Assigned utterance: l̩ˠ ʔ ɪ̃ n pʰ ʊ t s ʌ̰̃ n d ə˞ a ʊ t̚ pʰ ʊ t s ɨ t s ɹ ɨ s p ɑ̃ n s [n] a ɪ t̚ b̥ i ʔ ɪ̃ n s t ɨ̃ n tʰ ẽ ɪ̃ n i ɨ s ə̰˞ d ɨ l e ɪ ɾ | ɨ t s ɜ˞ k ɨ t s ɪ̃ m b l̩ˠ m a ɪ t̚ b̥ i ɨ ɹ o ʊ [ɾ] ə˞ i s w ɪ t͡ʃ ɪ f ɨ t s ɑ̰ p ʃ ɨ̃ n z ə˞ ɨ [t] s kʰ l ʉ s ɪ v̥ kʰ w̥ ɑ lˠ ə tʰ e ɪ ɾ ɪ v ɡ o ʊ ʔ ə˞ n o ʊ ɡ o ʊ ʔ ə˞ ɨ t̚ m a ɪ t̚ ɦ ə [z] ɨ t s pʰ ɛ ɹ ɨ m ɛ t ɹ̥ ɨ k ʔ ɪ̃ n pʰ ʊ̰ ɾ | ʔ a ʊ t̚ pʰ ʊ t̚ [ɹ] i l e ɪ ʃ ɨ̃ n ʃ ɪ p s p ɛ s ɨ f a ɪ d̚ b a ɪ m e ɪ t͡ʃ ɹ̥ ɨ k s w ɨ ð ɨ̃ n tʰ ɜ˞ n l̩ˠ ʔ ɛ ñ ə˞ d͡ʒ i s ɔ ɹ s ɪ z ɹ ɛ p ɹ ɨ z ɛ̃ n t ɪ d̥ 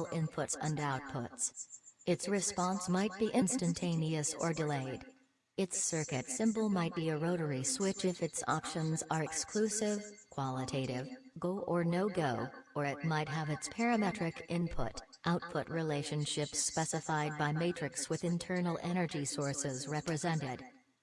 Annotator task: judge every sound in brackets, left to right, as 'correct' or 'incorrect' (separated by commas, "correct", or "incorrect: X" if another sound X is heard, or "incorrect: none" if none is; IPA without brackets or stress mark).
incorrect: m, correct, incorrect: k, incorrect: v, correct